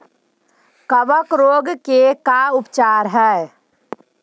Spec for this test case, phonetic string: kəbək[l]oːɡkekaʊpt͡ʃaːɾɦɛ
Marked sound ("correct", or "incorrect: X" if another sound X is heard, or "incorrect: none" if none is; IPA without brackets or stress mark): incorrect: ɾ